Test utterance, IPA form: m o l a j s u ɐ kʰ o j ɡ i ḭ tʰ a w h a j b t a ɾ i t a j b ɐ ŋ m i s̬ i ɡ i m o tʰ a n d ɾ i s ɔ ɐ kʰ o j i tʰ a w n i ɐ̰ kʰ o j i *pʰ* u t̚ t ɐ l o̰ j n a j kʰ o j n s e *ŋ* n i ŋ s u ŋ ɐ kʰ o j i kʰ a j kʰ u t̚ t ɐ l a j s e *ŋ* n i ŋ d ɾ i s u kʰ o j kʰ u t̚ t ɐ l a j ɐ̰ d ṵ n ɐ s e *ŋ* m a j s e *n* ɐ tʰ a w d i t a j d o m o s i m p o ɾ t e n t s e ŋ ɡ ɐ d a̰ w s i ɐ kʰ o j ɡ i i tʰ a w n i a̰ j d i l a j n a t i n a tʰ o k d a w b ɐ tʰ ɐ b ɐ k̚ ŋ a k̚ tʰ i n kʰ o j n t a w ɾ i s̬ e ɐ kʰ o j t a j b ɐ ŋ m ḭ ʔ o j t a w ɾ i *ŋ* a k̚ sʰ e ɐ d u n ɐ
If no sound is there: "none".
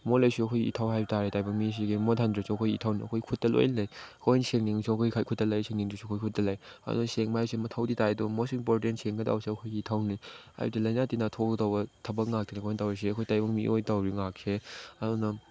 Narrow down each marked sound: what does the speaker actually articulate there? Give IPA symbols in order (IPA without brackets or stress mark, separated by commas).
kʰ, ŋ, ŋ, ŋ, m, ŋ